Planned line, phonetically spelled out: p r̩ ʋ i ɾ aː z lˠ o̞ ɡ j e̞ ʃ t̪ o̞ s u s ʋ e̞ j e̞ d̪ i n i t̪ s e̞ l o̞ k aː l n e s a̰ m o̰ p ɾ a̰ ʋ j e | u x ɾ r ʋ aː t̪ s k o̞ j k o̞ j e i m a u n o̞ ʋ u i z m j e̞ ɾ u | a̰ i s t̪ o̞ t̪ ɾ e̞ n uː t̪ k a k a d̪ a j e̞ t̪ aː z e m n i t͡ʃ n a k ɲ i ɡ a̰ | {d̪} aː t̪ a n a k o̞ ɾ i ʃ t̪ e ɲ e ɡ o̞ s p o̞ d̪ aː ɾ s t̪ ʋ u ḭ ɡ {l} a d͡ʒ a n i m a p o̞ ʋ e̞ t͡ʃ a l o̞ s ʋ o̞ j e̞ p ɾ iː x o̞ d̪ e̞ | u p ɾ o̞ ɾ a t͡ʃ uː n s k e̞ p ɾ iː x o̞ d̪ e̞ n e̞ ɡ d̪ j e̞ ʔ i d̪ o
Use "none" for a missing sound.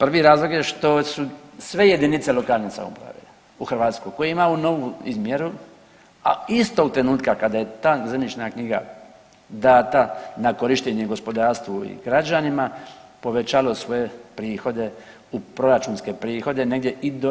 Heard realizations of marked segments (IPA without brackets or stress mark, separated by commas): d̪, ɾ